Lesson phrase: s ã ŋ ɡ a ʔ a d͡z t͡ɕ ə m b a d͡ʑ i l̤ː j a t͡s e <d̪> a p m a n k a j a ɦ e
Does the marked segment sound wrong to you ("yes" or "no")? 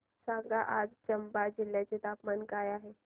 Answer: yes